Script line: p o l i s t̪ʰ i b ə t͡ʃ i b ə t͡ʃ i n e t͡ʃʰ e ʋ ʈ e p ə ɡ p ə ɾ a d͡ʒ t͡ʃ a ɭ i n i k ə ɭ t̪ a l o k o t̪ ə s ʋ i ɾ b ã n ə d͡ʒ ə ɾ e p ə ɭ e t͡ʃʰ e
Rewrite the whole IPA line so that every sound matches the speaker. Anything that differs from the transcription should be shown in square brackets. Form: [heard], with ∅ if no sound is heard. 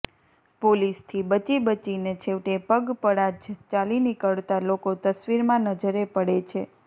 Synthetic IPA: p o l i s t̪ʰ i b ə t͡ʃ i b ə t͡ʃ i n e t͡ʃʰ e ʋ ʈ e p ə ɡ p ə [ɽ] a d͡ʒ t͡ʃ a [l] i n i k ə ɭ t̪ a l o k o t̪ ə s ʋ i ɾ [m] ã n ə d͡ʒ ə ɾ e p ə [ɽ] e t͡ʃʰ e